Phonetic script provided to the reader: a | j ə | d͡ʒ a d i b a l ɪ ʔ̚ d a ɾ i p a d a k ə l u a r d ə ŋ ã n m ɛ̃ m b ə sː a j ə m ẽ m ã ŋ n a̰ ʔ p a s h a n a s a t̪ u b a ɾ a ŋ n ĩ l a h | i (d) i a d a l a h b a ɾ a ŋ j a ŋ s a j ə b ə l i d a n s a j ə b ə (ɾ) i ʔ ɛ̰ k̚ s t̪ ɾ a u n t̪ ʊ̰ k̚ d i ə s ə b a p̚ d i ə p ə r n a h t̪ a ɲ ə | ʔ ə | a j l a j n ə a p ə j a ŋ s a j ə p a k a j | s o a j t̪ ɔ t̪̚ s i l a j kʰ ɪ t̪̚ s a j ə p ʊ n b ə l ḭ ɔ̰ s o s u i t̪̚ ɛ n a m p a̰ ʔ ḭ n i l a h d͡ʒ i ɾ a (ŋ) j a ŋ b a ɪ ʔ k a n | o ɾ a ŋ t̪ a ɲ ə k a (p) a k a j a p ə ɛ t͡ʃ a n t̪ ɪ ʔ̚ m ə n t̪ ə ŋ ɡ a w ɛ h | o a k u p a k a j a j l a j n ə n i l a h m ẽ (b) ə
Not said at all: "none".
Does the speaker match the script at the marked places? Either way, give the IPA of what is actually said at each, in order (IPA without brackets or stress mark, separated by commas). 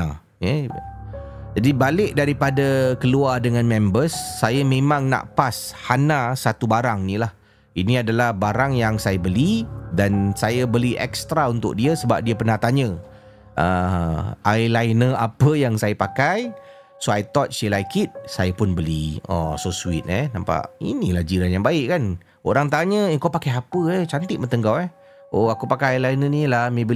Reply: n, l, n, p, b